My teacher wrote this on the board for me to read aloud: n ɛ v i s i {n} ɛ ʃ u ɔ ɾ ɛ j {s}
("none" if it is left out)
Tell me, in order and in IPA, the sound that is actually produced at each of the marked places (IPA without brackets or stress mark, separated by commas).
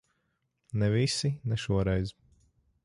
n, z